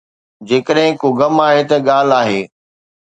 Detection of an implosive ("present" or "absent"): present